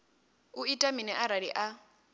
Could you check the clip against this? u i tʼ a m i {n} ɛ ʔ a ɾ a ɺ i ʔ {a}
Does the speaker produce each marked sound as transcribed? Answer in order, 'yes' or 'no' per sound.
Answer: yes, yes

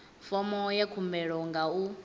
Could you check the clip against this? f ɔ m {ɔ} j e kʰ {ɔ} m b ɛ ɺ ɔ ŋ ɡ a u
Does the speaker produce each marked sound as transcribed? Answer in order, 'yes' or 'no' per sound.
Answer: yes, no

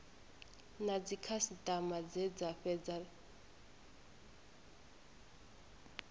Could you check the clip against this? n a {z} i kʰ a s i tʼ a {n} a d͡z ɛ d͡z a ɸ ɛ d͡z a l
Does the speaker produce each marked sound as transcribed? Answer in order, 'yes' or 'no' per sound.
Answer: no, no

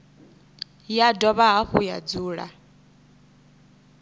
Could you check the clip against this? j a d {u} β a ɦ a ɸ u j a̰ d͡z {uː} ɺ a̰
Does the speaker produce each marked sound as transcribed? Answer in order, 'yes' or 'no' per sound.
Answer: no, yes

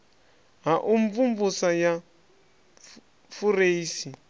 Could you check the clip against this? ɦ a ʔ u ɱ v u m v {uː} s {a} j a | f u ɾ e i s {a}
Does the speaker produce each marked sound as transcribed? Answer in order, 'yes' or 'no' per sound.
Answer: no, yes, no

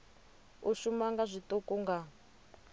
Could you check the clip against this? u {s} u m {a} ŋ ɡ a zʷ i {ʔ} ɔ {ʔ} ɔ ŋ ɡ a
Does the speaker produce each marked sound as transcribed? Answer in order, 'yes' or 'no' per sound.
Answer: no, yes, no, no

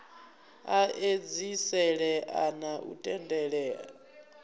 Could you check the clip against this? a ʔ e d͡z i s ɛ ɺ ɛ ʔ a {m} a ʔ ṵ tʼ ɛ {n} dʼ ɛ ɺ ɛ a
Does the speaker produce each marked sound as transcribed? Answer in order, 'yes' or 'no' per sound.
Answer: no, yes

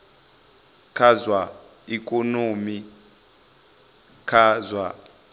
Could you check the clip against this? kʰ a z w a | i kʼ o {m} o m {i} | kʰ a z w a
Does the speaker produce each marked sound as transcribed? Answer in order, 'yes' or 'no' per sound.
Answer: no, yes

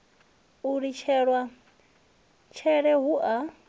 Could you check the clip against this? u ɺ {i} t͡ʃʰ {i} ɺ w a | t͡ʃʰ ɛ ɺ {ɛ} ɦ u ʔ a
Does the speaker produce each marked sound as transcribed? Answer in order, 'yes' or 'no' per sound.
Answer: yes, no, yes

